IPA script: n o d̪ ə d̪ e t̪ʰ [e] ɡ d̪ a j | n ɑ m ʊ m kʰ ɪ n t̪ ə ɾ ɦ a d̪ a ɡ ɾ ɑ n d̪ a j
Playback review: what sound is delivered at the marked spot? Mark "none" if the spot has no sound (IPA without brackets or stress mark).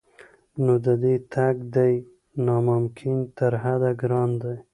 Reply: a